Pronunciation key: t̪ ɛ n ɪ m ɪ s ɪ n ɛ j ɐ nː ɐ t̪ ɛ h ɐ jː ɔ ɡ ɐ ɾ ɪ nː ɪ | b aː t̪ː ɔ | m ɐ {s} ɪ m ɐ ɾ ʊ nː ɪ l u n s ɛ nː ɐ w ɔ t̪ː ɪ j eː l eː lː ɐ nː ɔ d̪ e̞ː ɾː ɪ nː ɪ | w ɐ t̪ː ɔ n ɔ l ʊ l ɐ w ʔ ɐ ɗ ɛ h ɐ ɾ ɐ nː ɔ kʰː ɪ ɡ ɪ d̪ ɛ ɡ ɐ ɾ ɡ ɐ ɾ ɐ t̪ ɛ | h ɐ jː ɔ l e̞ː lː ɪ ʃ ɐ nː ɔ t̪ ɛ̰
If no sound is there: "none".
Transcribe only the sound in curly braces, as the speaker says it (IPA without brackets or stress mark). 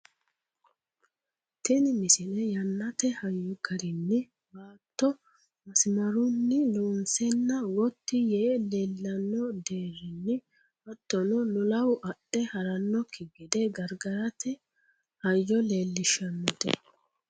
s